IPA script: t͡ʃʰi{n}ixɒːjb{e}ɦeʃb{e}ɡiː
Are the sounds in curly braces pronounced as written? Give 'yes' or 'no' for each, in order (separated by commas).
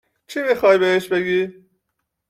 no, yes, yes